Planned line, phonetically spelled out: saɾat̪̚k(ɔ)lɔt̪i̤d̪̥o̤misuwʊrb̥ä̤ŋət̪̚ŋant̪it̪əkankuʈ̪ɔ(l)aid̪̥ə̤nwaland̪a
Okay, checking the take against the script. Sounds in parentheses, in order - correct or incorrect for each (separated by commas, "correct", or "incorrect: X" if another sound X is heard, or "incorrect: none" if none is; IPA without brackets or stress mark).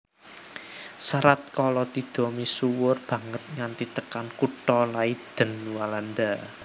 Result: correct, correct